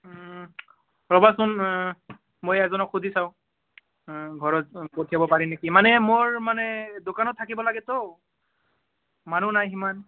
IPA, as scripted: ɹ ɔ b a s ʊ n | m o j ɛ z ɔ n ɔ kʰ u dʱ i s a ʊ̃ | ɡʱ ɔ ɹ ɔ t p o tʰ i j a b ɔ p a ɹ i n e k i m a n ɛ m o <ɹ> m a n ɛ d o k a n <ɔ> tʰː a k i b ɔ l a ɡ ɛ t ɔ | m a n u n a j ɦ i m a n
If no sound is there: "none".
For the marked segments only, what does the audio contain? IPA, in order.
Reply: ɹ, ɔ

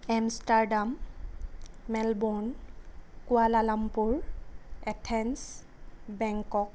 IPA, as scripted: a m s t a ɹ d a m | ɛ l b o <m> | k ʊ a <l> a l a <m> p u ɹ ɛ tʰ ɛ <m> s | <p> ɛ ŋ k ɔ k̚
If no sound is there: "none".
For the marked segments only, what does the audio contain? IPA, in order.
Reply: n, l, m, n, b

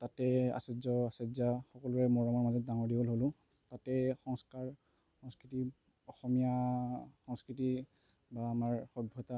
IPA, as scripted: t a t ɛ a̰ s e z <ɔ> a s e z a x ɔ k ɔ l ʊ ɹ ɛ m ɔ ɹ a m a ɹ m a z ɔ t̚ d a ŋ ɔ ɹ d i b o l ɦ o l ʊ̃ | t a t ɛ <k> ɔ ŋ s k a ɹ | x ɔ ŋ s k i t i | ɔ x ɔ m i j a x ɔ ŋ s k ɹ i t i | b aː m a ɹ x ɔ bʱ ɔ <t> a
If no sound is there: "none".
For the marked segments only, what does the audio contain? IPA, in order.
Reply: ɔ, x, t

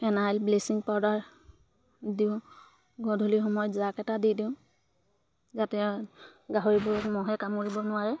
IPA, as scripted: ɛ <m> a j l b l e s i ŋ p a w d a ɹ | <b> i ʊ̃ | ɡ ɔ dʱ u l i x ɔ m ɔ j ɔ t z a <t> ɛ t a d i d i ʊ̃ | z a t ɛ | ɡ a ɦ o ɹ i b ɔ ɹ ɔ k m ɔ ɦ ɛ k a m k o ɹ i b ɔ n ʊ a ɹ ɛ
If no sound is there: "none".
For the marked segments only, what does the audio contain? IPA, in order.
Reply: n, d, k

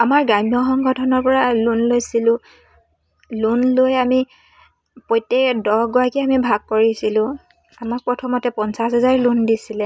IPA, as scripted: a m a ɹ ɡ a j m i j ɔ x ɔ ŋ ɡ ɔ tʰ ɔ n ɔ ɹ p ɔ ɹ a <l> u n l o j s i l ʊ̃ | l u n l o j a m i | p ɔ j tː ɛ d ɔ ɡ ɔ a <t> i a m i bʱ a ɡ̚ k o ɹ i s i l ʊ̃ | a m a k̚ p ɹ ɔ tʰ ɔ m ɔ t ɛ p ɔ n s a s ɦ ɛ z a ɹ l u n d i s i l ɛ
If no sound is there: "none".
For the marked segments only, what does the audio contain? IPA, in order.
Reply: l, k

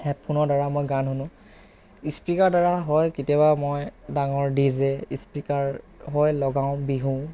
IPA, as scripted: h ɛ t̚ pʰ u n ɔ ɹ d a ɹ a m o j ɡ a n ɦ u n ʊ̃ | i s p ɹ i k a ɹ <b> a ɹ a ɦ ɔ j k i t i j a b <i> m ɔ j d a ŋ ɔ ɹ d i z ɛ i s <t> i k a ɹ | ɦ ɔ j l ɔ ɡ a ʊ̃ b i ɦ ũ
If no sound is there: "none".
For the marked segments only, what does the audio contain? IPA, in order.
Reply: d, a, p

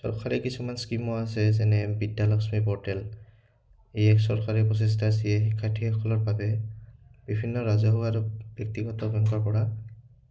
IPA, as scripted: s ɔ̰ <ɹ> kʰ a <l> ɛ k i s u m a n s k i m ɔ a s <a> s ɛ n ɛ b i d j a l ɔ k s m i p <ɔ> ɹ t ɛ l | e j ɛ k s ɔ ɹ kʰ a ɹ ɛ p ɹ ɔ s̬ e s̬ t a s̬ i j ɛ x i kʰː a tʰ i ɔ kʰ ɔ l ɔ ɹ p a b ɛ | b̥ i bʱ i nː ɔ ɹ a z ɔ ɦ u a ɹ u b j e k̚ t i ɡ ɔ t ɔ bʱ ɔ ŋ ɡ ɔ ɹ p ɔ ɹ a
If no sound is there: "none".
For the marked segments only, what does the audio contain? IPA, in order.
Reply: ɹ, ɹ, ɛ, ɔ

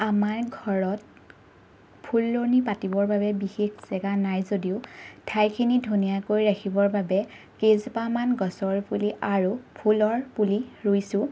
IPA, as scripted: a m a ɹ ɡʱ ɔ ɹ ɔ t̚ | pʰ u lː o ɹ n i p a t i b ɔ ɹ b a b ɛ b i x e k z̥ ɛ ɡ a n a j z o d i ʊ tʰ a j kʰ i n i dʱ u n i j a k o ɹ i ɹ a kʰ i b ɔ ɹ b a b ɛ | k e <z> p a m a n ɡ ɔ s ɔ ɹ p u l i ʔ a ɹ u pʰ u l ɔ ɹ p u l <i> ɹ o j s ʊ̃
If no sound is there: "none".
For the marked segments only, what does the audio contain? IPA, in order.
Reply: z, i

